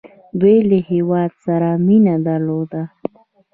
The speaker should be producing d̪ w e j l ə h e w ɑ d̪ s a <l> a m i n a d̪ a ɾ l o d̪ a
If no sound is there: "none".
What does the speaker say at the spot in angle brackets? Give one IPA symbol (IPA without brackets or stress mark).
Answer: ɾ